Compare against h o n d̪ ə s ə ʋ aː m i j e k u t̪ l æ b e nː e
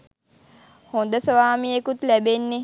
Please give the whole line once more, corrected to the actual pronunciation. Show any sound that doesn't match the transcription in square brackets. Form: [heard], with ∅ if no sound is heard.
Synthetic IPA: h o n d̪ ə s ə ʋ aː m i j e k u t̪ l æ b e nː e